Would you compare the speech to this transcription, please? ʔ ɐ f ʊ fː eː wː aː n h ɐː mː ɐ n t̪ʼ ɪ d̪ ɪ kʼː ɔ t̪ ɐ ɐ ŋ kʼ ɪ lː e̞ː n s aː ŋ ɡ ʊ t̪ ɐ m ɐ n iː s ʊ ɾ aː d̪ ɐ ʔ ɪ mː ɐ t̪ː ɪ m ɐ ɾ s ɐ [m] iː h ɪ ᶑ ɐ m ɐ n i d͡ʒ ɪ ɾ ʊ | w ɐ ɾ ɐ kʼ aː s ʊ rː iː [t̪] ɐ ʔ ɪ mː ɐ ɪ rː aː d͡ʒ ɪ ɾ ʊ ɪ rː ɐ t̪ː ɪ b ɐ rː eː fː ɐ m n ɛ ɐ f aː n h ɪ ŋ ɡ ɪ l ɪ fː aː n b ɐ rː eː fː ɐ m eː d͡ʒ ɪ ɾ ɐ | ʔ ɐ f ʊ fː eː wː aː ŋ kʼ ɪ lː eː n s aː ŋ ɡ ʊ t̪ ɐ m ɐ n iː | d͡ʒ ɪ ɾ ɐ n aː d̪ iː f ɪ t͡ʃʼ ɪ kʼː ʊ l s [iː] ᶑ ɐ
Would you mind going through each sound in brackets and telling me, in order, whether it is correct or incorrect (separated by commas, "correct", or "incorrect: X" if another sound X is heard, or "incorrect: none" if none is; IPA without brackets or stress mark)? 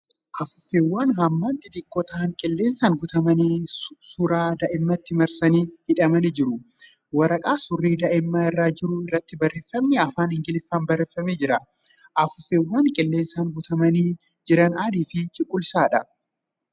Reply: incorrect: n, incorrect: d̪, incorrect: aː